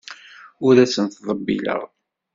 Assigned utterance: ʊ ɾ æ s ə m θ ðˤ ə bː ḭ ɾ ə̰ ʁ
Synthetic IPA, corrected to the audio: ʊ ɾ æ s ə n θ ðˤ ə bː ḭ l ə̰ ʁ